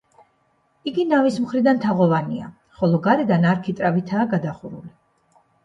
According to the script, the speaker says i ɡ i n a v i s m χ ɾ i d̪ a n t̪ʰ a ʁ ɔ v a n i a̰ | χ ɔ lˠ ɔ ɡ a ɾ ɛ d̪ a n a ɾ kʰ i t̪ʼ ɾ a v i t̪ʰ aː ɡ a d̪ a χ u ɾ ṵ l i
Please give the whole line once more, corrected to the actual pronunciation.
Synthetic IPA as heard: i ɡ i n a v i s m χ ɾ i d̪ a n t̪ʰ a ʁ ɔ v a n i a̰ | χ ɔ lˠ ɔ ɡ a ɾ ɛ d̪ a n a ɾ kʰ i t̪ʼ ɾ a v i t̪ʰ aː ɡ a d̪ a χ u ɾ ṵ l i